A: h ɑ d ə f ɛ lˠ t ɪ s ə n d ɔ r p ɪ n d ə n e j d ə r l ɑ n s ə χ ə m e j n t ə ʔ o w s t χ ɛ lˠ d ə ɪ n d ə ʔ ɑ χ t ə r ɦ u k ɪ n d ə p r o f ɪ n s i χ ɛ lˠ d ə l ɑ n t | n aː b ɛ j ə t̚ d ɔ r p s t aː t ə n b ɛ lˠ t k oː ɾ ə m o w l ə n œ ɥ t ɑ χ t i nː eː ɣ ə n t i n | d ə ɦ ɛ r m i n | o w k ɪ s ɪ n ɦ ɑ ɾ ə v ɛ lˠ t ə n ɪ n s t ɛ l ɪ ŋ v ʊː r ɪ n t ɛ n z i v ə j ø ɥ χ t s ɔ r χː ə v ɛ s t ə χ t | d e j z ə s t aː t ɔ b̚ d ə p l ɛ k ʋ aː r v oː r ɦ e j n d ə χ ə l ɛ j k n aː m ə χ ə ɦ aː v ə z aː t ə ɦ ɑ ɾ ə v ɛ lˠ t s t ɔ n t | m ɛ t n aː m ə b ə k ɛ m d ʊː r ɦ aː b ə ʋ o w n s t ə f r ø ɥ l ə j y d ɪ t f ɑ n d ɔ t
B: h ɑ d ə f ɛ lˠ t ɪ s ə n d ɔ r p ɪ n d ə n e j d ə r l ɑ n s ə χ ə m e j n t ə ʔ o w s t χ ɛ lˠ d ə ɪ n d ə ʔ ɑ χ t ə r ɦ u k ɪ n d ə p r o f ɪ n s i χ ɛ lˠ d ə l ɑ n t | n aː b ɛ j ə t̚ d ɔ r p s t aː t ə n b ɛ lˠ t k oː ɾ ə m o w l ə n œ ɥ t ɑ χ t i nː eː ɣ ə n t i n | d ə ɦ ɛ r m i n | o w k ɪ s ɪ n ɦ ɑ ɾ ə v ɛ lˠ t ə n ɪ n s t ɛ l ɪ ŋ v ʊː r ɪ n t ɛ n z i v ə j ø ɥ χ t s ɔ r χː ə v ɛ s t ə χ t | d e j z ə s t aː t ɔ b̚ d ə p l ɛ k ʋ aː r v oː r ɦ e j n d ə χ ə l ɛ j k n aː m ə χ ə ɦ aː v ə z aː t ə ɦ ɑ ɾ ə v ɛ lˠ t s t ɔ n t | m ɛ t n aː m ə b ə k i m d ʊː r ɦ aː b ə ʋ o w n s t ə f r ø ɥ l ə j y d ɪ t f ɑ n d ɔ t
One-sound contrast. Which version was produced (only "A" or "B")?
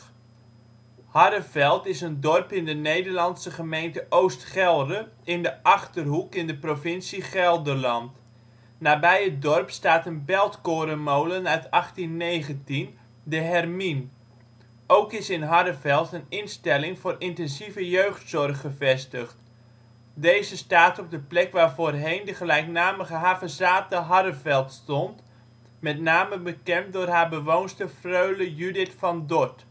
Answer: A